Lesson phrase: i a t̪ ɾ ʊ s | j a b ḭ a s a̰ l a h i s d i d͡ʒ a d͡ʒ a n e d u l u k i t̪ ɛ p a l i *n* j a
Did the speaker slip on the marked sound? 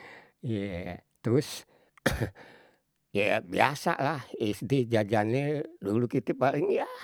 yes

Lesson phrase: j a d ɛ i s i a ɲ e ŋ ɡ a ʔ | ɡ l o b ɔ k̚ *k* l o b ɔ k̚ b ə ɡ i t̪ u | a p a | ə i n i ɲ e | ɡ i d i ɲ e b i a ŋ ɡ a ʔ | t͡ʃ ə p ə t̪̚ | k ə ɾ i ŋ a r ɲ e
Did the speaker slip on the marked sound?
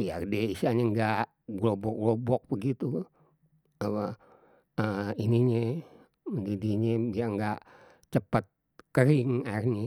yes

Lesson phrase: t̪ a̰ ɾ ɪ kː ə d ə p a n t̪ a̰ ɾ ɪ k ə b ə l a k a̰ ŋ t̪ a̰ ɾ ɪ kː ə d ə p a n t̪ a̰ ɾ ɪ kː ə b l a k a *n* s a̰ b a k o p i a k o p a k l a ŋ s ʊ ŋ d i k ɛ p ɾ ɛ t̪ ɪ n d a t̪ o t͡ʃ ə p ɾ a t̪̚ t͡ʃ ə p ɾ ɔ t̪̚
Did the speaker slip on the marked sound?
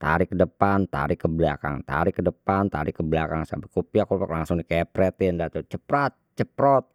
yes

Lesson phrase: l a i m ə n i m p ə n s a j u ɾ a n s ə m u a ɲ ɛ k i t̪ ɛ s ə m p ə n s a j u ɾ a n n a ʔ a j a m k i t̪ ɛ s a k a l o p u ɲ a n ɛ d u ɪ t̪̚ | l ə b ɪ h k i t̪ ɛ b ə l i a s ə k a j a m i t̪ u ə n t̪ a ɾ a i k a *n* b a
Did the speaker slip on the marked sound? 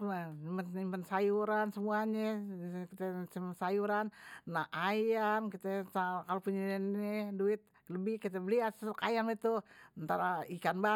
no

